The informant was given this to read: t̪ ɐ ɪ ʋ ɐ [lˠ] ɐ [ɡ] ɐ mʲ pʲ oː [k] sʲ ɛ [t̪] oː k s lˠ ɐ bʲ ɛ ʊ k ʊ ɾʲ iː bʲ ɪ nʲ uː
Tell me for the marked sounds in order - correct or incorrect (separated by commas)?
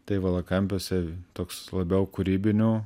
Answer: correct, incorrect, incorrect, correct